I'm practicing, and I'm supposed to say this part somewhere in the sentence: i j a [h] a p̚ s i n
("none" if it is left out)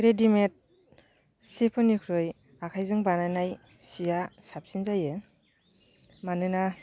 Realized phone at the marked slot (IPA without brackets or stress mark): s